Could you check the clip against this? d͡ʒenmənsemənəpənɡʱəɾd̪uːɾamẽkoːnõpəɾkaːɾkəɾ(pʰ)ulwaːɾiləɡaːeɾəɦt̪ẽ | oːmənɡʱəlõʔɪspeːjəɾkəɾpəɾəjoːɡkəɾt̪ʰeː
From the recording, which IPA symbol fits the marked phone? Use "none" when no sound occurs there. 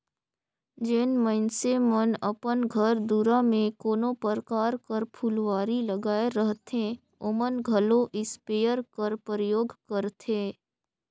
pʰ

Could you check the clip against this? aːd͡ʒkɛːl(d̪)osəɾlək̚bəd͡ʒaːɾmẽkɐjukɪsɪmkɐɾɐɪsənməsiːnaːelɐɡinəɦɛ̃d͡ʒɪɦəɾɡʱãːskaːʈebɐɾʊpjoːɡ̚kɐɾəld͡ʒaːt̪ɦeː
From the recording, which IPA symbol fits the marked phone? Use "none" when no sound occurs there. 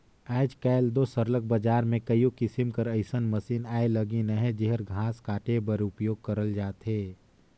d̪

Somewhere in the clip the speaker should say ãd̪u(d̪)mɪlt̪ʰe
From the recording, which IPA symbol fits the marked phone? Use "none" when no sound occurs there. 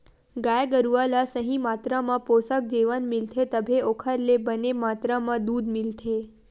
d̪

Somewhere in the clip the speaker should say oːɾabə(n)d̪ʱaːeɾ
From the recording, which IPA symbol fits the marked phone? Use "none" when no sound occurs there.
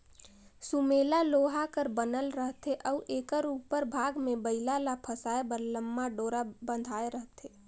n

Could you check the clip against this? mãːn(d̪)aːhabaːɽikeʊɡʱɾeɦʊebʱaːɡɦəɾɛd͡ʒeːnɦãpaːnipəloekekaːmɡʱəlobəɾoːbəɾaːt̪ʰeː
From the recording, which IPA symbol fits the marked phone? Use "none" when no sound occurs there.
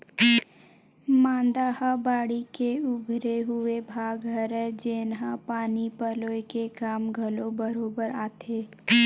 d̪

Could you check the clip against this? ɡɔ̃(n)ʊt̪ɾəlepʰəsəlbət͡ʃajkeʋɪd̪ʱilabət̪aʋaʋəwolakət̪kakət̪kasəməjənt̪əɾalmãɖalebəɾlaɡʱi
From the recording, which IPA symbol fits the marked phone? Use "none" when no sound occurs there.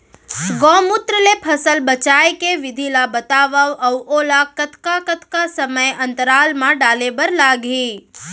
m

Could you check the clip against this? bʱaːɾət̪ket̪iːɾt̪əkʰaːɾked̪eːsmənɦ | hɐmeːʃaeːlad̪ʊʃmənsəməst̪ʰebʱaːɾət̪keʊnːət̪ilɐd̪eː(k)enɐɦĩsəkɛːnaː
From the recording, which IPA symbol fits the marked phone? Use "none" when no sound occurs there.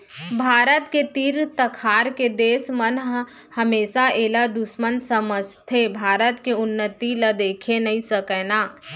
kʰ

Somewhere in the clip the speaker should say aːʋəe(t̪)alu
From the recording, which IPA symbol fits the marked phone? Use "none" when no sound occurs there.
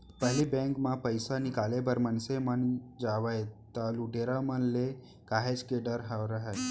t̪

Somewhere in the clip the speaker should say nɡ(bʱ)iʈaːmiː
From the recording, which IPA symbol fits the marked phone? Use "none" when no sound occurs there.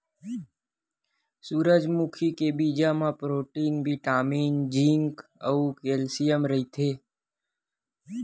bʱ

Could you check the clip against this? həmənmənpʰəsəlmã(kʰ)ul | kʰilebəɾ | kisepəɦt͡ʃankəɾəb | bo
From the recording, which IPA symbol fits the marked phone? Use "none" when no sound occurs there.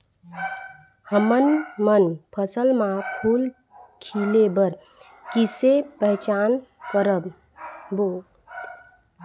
pʰ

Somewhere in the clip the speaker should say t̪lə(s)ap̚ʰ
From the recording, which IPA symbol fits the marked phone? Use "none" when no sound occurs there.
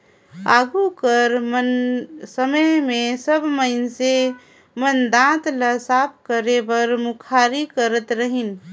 s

